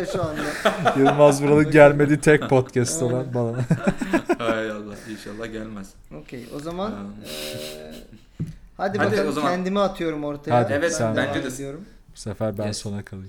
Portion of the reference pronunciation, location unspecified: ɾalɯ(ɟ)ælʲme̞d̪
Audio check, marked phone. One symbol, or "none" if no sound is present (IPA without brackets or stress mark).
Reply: ɟ